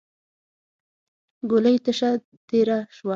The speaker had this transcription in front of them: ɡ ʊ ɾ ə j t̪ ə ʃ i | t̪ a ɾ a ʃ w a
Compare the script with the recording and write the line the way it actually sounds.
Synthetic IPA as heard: ɡ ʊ l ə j t̪ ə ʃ a | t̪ e ɾ a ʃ w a